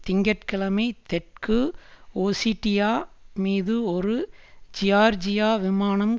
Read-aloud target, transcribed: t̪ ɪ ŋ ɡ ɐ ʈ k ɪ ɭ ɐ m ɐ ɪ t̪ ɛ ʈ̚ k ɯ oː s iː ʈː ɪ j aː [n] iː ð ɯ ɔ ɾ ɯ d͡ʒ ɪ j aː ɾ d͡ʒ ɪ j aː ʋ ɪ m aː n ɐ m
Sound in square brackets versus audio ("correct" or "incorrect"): incorrect